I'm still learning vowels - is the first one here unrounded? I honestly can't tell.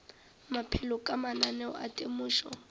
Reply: yes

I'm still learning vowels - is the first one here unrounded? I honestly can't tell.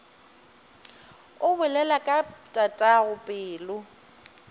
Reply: no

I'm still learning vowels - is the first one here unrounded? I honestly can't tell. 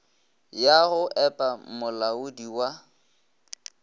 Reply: yes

